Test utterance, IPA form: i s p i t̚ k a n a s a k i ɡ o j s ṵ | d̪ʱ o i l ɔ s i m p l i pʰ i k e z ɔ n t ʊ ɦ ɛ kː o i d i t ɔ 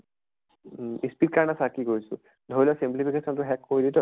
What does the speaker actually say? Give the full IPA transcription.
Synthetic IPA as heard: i s p i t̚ k a n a s a k i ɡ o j s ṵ | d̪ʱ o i l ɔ s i m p l i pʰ i k e s ɔ n t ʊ ɦ ɛ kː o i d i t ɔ